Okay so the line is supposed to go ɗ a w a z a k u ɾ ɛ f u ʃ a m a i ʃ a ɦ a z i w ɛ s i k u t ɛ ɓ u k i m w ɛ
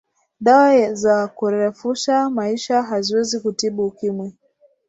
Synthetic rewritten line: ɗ a w a z a k u ɾ ɛ f u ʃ a m a i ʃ a ɦ a z i w ɛ z i k u t i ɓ u k i m w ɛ